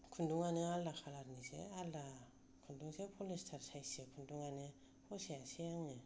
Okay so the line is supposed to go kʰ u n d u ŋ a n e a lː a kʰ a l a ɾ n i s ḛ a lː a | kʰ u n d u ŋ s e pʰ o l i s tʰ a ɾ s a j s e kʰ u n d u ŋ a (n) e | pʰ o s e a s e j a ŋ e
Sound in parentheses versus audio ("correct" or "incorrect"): correct